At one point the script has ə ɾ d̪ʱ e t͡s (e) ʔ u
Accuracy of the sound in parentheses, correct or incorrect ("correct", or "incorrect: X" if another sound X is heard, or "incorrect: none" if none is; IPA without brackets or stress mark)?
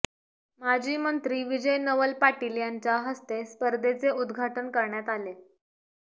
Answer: correct